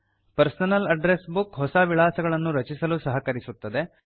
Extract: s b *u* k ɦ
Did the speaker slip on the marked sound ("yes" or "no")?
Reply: no